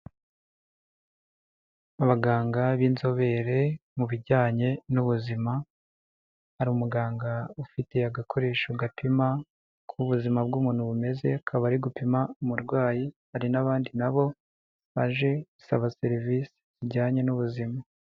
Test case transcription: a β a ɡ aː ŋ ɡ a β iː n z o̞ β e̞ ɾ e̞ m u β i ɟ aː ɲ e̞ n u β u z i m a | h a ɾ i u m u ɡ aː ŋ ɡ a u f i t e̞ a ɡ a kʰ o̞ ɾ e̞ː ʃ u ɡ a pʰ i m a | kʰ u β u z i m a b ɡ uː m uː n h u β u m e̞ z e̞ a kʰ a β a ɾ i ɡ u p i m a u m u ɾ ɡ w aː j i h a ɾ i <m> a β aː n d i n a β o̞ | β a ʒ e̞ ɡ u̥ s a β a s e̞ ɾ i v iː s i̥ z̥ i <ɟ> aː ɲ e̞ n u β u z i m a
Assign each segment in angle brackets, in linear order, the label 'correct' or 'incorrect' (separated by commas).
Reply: incorrect, correct